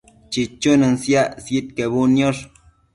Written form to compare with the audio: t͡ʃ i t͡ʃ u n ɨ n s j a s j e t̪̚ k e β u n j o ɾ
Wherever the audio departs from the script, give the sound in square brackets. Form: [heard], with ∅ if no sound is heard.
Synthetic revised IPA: t͡ʃ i t͡ʃ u n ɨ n s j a s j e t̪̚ k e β u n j o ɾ